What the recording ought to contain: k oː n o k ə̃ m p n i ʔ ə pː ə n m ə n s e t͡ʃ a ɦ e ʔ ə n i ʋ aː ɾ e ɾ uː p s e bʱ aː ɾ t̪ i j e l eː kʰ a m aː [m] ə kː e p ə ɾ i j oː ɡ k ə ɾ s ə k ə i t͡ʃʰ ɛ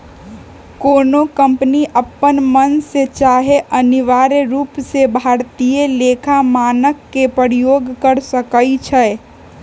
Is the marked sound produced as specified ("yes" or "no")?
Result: no